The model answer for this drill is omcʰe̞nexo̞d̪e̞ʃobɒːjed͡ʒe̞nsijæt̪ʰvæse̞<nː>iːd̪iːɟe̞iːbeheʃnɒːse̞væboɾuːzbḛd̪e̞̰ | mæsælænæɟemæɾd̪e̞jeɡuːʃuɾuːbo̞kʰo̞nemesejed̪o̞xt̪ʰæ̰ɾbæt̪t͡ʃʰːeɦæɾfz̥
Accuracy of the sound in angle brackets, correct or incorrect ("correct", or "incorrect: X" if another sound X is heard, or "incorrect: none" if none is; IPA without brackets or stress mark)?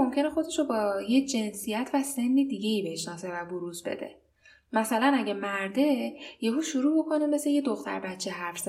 correct